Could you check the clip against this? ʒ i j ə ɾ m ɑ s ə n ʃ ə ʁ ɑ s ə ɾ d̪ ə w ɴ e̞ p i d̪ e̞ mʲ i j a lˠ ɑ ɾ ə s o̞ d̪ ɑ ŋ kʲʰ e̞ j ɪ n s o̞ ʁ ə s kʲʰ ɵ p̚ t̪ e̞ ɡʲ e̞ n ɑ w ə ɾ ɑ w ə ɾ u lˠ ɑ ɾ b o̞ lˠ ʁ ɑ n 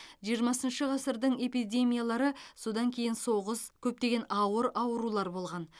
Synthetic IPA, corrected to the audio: ʒ i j ə ɾ m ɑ s ə n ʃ ə ʁ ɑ s ə ɾ d̪ ə ɴ e̞ p i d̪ e̞ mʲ i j a lˠ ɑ ɾ ə s o̞ d̪ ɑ ŋ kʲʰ e̞ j ɪ n s o̞ ʁ ə s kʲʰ ɵ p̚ t̪ e̞ ɡʲ e̞ n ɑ w ə ɾ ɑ w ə ɾ u lˠ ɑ ɾ b o̞ lˠ ʁ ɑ n